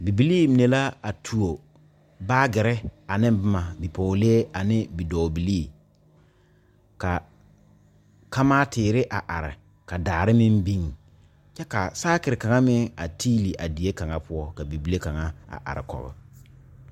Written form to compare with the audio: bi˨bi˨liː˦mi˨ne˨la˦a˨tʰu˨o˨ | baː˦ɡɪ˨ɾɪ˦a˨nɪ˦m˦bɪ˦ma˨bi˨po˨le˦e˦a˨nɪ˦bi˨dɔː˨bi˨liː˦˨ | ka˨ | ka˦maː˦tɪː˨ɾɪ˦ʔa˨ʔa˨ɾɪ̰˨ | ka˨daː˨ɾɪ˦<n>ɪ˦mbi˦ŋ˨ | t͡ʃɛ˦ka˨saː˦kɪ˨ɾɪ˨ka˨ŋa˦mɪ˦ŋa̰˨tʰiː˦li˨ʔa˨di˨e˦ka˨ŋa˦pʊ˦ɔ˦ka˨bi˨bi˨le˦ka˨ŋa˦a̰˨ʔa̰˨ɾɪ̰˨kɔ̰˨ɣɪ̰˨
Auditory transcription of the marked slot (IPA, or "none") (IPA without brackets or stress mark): m